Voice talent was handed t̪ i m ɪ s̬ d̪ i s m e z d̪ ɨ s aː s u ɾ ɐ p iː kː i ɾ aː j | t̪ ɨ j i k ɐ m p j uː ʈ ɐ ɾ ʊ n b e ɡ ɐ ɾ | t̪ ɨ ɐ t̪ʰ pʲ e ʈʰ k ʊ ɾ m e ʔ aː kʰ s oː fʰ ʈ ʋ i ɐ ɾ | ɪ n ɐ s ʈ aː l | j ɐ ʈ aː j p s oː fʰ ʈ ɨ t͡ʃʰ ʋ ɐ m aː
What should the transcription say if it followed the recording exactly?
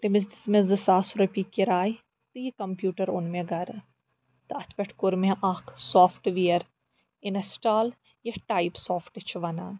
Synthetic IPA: t̪ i m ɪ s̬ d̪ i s m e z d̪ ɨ s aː s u ɾ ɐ p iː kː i ɾ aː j | t̪ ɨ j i k ɐ m p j uː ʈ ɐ ɾ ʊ n m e ɡ ɐ ɾ | t̪ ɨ ɐ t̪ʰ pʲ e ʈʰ k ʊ ɾ m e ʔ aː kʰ s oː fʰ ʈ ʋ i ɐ ɾ | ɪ n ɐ s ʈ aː l | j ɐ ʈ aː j p s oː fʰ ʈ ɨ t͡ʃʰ ʋ ɐ n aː

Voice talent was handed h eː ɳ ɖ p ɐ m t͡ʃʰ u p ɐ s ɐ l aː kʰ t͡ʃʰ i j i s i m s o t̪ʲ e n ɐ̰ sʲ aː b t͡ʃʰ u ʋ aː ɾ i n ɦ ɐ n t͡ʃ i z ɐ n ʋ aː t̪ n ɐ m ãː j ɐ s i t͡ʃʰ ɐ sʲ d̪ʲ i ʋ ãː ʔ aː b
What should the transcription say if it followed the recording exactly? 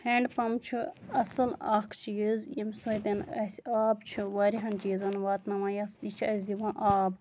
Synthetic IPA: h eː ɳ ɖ p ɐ m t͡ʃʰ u ɐ s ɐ l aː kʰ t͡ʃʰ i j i z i m s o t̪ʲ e n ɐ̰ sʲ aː b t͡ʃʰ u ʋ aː ɾ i ɦ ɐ n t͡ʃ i z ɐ n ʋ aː t̪ n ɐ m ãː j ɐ s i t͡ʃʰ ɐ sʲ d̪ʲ i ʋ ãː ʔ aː b

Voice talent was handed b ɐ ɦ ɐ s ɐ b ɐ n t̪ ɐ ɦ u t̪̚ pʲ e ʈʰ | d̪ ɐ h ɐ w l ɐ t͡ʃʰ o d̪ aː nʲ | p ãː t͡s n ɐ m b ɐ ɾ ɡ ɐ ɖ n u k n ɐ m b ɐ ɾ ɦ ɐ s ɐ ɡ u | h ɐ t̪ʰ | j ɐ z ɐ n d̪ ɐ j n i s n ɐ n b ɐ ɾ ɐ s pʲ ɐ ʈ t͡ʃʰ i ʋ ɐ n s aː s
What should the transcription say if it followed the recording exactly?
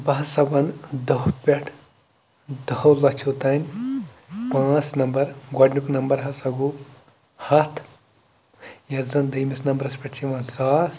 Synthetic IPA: b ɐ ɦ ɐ s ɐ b ɐ n d̪ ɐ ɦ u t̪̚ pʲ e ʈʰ | d̪ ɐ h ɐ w l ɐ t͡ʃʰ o t̪ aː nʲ | p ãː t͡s n ɐ m b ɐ ɾ ɡ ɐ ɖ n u k n ɐ m b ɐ ɾ ɦ ɐ s ɐ ɡ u | h ɐ t̪ʰ | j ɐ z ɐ n d̪ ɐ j m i s n ɐ m b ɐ ɾ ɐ s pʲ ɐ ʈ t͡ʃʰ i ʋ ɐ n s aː s

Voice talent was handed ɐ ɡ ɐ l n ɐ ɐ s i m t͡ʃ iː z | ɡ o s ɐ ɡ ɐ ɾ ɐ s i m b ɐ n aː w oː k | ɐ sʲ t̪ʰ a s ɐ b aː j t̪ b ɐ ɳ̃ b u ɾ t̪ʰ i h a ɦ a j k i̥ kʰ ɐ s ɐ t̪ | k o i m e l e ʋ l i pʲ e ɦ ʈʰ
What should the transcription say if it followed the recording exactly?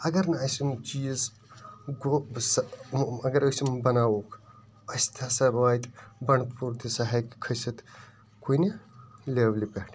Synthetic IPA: ɐ ɡ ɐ ɾ n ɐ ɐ s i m t͡ʃ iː z | ɡ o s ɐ ɡ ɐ ɾ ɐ s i m b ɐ n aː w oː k | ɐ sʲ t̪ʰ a s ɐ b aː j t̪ b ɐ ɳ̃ p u ɾ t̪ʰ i s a ɦ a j k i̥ kʰ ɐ s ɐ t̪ | k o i n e l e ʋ l i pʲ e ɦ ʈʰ

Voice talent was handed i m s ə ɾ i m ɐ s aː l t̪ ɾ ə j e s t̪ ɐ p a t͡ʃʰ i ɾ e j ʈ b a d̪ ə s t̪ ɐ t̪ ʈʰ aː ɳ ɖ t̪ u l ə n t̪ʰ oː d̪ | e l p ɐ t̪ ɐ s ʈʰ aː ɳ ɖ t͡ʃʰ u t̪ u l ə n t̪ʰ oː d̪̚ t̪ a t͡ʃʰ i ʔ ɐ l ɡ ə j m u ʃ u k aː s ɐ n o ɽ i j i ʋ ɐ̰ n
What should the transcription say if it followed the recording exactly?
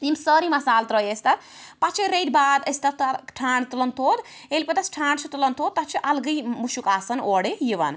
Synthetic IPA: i m s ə ɾ i m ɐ s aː l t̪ ɾ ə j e s t̪ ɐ p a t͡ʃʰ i ɾ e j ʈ b a d̪ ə s t̪ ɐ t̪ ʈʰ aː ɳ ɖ t̪ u l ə n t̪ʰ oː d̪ | e l p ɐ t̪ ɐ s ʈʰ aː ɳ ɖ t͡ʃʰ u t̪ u l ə n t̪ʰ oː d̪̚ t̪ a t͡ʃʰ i ʔ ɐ l ɡ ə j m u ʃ u k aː s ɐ n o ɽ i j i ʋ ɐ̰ n

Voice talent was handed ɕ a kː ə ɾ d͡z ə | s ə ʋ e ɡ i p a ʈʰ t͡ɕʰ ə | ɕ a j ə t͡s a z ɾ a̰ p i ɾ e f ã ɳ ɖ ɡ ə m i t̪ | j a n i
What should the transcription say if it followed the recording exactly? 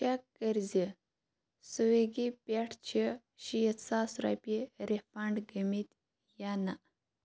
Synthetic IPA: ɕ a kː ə ɾ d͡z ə | s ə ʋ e ɡ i p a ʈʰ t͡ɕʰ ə | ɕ i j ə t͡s a s ɾ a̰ p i ɾ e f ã ɳ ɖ ɡ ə m i t̪ | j a n a

